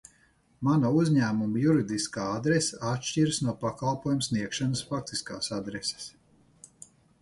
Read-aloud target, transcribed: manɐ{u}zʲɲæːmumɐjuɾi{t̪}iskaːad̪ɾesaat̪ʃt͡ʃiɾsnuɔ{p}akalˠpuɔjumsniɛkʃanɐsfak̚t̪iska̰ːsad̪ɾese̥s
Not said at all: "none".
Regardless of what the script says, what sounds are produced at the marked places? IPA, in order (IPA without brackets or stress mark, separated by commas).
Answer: u, d̪, p